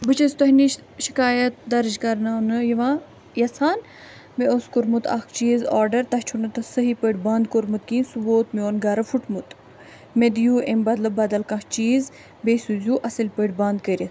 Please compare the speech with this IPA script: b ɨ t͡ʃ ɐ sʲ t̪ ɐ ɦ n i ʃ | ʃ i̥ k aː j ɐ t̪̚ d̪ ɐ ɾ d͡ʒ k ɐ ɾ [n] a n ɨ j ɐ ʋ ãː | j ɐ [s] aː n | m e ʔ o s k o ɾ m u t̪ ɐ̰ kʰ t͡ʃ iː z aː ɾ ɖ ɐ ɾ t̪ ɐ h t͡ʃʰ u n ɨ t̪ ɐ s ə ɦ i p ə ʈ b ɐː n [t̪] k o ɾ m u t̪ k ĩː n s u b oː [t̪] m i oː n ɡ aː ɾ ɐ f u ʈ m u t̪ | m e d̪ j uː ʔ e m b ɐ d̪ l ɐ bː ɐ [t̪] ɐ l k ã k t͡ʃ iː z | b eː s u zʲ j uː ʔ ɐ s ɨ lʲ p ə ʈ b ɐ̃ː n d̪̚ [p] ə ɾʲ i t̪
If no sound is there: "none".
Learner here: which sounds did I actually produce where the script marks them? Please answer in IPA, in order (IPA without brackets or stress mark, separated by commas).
n, s, d̪, t̪, d̪, k